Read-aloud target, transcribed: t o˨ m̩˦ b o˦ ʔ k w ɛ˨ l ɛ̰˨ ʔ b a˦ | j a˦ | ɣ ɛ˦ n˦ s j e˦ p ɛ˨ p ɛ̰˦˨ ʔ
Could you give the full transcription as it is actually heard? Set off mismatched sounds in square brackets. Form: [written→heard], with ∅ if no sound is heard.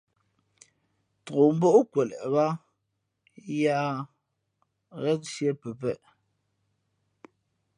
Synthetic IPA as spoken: t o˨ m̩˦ b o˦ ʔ k w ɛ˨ l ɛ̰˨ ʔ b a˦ | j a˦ | ɣ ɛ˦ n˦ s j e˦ p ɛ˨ p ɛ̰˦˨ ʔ